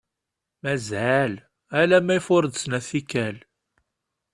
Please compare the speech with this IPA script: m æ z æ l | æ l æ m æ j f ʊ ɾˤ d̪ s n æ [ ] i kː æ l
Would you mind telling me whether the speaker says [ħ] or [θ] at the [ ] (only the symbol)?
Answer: θ